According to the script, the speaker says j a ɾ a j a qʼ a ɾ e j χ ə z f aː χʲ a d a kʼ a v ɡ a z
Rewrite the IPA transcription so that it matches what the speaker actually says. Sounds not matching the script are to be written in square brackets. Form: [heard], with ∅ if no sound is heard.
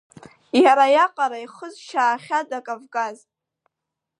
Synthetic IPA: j a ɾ a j a qʼ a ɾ [a] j χ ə z [ʃ] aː χʲ a d a kʼ a v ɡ a z